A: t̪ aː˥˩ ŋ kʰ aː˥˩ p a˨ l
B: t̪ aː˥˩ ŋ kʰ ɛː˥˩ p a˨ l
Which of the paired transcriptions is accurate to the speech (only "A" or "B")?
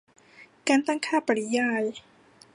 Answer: A